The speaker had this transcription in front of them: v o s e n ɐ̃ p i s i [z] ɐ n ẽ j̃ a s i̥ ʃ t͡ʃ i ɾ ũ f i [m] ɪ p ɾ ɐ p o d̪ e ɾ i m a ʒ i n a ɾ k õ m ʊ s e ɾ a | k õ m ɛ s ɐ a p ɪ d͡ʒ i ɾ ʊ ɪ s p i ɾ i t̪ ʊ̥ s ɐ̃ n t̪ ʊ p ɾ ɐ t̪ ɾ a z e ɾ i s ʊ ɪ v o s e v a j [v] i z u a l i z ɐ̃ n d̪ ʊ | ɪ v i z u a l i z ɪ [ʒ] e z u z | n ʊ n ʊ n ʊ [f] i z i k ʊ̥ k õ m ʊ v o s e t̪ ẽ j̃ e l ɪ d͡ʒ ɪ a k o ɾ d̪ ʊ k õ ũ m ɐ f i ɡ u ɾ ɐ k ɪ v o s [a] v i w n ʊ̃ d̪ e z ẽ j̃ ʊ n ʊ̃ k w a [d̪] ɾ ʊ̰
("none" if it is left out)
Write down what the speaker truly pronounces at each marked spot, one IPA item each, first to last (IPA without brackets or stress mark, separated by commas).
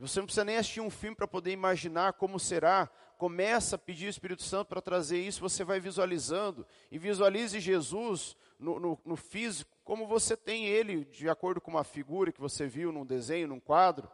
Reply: z, m, v, ʒ, f, e, d̪